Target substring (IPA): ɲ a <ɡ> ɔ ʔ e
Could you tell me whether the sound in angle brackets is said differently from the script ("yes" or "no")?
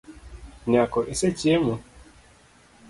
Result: yes